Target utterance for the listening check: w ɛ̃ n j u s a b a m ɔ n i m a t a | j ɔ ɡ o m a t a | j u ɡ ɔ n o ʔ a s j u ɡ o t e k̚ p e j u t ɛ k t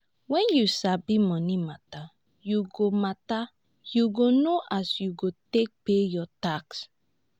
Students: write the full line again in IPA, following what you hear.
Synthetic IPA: w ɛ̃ n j u s a b i m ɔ n i m a t a | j u ɡ o m a t a | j u ɡ o n o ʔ a s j u ɡ o t e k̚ p e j ɔ t a k s